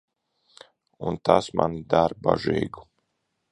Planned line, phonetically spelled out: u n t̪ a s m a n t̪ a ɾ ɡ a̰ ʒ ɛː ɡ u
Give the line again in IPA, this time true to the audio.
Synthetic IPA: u n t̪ a s m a n d̪ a ɾ b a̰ ʒ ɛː ɡ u